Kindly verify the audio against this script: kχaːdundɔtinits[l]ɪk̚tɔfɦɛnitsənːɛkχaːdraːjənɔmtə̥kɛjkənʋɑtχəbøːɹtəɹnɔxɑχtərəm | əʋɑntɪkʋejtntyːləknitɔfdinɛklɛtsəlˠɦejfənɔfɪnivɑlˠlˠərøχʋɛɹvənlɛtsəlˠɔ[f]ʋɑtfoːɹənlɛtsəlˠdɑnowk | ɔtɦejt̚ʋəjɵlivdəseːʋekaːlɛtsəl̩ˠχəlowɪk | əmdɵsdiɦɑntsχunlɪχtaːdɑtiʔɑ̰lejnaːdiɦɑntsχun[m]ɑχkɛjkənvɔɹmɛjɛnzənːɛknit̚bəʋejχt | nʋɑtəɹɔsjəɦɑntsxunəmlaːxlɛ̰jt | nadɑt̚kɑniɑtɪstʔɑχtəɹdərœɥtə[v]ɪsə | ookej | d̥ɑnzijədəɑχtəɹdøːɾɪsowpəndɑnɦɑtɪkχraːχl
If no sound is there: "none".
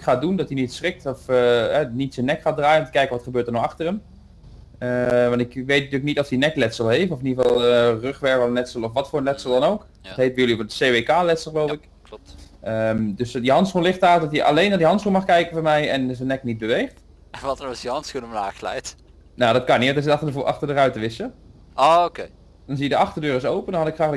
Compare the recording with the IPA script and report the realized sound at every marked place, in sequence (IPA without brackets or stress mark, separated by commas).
r, f, m, ʋ